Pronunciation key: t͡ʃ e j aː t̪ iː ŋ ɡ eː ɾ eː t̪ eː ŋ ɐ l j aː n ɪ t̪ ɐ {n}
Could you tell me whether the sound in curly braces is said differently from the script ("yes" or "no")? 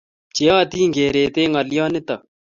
yes